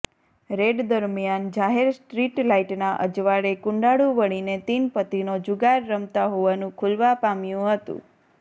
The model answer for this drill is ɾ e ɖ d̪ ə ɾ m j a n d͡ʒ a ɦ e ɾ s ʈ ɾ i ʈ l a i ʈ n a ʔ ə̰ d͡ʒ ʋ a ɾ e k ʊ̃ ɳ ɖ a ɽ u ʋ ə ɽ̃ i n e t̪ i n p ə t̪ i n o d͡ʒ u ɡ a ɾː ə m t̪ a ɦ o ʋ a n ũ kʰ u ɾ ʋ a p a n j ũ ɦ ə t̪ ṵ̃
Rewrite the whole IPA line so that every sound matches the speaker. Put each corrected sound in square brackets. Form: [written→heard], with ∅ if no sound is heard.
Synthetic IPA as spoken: ɾ e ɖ d̪ ə ɾ m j a n d͡ʒ a ɦ e ɾ s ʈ ɾ i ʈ l a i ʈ n a ʔ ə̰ d͡ʒ ʋ a ɾ e k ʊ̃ ɳ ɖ a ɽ u ʋ ə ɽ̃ i n e t̪ i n p ə t̪ i n o d͡ʒ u ɡ a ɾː ə m t̪ a ɦ o ʋ a n ũ kʰ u [ɾ→l] ʋ a p a [n→m] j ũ ɦ ə t̪ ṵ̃